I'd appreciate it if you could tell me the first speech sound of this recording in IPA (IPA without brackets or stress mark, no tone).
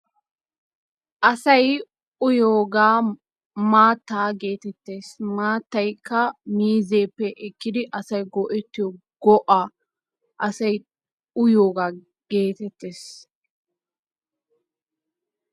ʔ